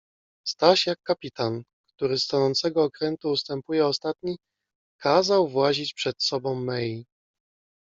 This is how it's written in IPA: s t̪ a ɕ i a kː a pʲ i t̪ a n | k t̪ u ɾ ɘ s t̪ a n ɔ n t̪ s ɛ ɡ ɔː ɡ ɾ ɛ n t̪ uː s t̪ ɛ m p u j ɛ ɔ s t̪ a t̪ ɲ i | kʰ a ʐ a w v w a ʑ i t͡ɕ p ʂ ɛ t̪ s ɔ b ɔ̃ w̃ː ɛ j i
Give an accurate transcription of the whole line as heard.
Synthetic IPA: s t̪ a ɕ j a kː a pʲ i t̪ a n | k t̪ u ɾ ɘ s t̪ a n ɔ n t̪ s ɛ ɡ ɔː k ɾ ɛ n t̪ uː s t̪ ɛ m p u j ɛ ɔ s t̪ a t̪ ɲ i | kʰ a z a w v w a ʑ i t͡ɕ p ʂ ɛ t̪ s ɔ b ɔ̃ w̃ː ɛ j i

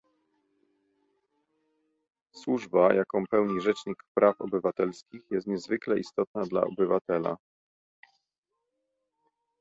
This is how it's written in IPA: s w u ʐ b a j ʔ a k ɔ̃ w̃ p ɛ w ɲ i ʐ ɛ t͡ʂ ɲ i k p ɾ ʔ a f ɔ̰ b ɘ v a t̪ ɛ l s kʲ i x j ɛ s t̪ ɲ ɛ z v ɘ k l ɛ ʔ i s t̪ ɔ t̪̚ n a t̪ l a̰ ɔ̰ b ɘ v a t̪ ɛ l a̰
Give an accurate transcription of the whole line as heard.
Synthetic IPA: s w u ʐ b a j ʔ a k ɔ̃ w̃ p ɛ w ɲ i ʐ ɛ t͡ʂ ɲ i k p ɾ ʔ a f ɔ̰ b ɘ v a t̪ ɛ l s kʲ i x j ɛ s t̪ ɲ ɛ z v ɘ k l ɛ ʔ i s t̪ ɔ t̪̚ n a d̪ l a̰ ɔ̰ b ɘ v a t̪ ɛ l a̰

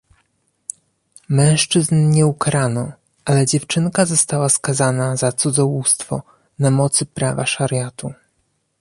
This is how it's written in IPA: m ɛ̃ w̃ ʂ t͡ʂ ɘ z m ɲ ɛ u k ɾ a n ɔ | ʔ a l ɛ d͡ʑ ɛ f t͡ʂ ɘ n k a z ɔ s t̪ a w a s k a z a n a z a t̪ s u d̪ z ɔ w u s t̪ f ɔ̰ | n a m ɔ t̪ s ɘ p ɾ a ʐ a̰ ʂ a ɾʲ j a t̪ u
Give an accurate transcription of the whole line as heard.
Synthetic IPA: m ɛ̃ w̃ ʂ t͡ʂ ɘ z n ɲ ɛ u k ɾ a n ɔ | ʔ a l ɛ d͡ʑ ɛ f t͡ʂ ɘ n k a z ɔ s t̪ a w a s k a z a n a z a t̪ s u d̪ z ɔ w u s t̪ f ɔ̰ | n a m ɔ t̪ s ɘ p ɾ a v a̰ ʂ a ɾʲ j a t̪ u

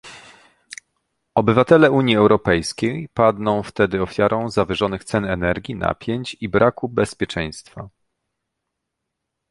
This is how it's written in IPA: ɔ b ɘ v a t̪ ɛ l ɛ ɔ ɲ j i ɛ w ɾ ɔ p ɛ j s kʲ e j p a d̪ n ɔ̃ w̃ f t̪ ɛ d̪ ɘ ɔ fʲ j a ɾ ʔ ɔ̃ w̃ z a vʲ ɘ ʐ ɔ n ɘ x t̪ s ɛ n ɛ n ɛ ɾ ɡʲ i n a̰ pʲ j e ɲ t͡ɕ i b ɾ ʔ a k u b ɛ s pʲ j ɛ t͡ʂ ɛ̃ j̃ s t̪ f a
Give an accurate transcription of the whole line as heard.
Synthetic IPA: ɔ b ɘ v a t̪ ɛ l ɛ u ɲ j i ɛ w ɾ ɔ p ɛ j s kʲ e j p a d̪ n ɔ̃ w̃ f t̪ ɛ d̪ ɘ ɔ fʲ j a ɾ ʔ ɔ̃ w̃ z a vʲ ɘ ʐ ɔ n ɘ x t̪ s ɛ n ɛ n ɛ ɾ ɡʲ i n a̰ pʲ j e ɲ t͡ɕ i b ɾ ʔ a k u b ɛ s pʲ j ɛ t͡ʂ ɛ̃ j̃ s t̪ f a

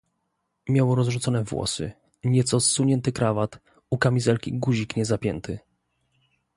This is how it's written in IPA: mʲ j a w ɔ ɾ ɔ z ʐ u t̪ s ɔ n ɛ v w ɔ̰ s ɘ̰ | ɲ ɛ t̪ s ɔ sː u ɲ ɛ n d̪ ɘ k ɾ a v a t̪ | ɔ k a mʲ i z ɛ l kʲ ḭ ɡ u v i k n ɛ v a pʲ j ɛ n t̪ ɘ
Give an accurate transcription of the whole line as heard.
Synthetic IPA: mʲ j a w ɔ ɾ ɔ z ʐ u t̪ s ɔ n ɛ v w ɔ̰ s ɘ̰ | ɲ ɛ t̪ s ɔ sː u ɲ ɛ n t̪ ɘ k ɾ a v a t̪ | u k a mʲ i z ɛ l kʲ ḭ ɡ u ʑ i k ɲ ɛ z a pʲ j ɛ n t̪ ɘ

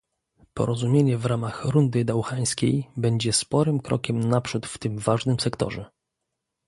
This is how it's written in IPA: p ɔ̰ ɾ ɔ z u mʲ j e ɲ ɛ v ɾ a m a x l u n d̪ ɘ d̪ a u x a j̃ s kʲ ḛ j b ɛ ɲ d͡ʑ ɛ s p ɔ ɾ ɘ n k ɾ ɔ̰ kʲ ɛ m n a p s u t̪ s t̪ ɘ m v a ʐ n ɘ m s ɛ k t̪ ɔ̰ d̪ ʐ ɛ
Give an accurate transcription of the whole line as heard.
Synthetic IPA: p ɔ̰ ɾ ɔ z u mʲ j e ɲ ɛ v ɾ a m a x ɾ u n d̪ ɘ d̪ a w x a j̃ s kʲ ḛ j b ɛ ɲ d͡ʑ ɛ s p ɔ ɾ ɘ m k ɾ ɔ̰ kʲ ɛ m n a p ʂ u t̪ f t̪ ɘ m v a ʐ n ɘ m s ɛ k t̪ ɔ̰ ʐ ɛ

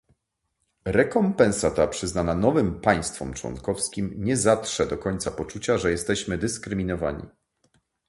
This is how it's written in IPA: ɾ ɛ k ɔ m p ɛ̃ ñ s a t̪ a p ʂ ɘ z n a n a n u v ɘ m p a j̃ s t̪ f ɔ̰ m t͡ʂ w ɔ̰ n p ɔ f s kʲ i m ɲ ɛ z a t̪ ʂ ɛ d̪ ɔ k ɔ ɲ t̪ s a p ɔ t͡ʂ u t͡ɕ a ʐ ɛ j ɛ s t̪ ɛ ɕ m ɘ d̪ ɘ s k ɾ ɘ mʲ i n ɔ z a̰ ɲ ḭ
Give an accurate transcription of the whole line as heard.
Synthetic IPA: ɾ ɛ k ɔ m p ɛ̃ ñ s a t̪ a p ʂ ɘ z n a n a n ɔ v ɘ m p a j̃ s t̪ f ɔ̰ m t͡ʂ w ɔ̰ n k ɔ f s kʲ i m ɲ ɛ z a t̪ ʂ ɛ d̪ ɔ k ɔ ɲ t̪ s a p ɔ t͡ʂ u t͡ɕ a ʐ ɛ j ɛ s t̪ ɛ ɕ m ɘ d̪ ɘ s k ɾ ɘ mʲ i n ɔ v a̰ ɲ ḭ

